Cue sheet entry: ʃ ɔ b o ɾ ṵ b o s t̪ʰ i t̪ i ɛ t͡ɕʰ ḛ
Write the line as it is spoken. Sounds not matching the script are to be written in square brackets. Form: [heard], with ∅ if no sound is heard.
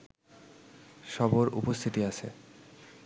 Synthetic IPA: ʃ ɔ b o ɾ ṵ [p] o s t̪ʰ i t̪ i [a] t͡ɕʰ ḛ

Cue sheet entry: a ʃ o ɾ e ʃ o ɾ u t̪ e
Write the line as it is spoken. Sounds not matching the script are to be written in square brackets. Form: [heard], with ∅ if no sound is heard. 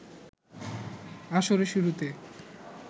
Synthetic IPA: a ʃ o ɾ e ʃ [u] ɾ u t̪ e

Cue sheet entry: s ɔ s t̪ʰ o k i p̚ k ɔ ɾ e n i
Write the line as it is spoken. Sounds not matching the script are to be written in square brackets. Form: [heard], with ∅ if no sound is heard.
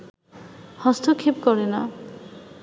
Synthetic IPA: [h] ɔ s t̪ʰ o [kʰ] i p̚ k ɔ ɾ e n [a]

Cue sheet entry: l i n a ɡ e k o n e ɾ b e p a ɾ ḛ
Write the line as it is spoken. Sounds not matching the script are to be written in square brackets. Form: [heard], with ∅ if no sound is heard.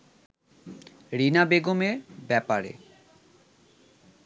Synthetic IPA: [ɾ] i n a [b] e [ɡ] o [m] e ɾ b [ɛ] p a ɾ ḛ

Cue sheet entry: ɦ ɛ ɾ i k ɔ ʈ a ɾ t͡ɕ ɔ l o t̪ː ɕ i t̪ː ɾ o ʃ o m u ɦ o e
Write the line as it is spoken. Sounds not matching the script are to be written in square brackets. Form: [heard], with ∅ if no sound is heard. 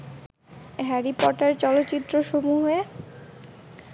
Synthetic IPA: ɦ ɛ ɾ i [p] ɔ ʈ a ɾ t͡ɕ ɔ l o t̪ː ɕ i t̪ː ɾ o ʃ o m u ɦ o e

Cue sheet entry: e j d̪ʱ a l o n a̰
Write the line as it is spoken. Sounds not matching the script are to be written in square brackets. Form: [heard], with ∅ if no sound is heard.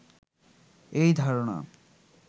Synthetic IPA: e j d̪ʱ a [ɾ] o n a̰

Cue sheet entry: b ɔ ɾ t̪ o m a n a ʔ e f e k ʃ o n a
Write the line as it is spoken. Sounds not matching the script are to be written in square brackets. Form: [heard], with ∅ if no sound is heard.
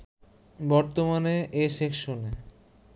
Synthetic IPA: b ɔ ɾ t̪ o m a n [e] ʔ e [ʃ] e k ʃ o n [e]

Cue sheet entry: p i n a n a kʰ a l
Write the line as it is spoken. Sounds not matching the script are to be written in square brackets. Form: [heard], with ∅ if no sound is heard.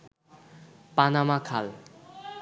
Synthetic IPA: p [a] n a [m] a kʰ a l

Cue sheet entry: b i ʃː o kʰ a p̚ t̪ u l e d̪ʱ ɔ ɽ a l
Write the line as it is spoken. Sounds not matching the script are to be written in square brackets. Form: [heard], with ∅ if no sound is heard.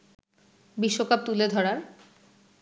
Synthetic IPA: b i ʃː o [k] a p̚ t̪ u l e d̪ʱ ɔ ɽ a [ɾ]

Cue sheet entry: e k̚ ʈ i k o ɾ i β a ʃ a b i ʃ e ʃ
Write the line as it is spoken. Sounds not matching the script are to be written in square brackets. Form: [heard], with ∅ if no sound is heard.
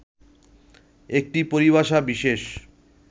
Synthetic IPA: e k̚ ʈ i [p] o ɾ i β a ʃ a b i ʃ e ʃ

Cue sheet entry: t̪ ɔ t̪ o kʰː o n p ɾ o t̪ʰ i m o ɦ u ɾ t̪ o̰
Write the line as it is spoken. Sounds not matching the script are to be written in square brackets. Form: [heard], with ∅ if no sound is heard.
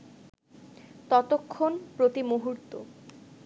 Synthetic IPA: t̪ ɔ t̪ o kʰː o n p ɾ o [t̪] i m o ɦ u ɾ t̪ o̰

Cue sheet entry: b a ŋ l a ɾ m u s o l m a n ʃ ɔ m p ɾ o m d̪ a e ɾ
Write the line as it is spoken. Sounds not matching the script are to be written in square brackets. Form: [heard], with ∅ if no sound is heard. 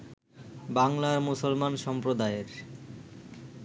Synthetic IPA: b a ŋ l a ɾ m u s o l m a n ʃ ɔ m p ɾ o [∅] d̪ a e ɾ

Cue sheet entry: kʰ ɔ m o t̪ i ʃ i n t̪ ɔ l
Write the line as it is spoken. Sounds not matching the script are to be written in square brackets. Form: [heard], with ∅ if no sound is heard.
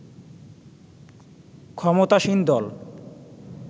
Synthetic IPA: kʰ ɔ m o t̪ [a] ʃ i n [d̪] ɔ l

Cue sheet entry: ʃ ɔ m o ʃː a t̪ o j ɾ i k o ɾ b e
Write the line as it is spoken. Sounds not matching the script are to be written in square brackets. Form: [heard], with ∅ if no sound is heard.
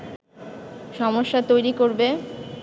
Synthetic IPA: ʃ ɔ m o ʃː a t̪ o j ɾ i k o ɾ b e

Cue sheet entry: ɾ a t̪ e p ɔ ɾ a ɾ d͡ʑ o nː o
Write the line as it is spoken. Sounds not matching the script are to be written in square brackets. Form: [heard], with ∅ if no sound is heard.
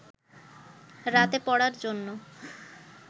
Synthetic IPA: ɾ a t̪ e p ɔ [ɽ] a ɾ d͡ʑ o nː o

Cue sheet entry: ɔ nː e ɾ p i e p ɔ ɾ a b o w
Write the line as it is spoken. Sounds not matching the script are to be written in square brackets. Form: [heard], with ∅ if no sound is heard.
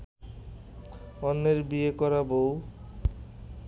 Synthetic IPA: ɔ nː e ɾ [b] i e [k] ɔ ɾ a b o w

